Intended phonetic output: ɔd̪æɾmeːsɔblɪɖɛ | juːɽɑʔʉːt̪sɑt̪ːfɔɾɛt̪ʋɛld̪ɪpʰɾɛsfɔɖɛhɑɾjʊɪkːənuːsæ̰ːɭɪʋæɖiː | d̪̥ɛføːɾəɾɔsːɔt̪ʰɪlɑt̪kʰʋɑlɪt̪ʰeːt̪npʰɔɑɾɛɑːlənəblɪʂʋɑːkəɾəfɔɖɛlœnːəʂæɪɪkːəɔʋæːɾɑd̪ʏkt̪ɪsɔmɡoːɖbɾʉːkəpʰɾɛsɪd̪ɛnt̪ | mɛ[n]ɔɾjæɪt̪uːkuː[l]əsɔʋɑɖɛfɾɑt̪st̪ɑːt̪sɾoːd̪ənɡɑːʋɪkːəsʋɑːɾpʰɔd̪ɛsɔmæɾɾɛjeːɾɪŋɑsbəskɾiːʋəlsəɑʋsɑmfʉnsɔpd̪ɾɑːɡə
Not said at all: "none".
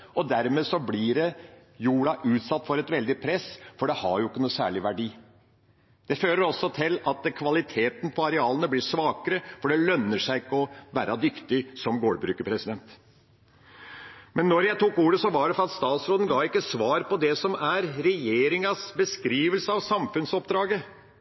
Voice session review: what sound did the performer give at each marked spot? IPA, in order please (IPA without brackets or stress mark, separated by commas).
nː, ɾ